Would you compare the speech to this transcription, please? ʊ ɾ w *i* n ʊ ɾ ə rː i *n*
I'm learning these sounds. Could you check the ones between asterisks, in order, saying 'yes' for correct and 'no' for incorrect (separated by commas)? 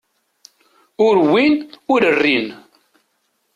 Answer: yes, yes